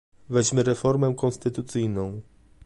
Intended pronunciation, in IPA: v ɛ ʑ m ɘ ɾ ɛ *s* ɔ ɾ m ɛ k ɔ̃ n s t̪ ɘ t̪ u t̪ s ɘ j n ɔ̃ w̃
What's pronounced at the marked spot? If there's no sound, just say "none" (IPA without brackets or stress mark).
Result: f